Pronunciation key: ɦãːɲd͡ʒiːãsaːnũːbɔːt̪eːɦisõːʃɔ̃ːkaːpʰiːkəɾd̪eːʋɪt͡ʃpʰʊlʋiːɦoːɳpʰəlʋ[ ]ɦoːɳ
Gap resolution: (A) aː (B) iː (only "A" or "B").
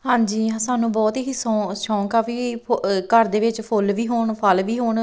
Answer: B